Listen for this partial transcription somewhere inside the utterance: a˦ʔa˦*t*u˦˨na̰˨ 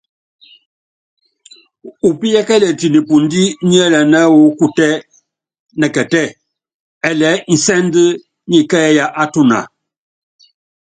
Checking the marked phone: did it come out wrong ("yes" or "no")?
no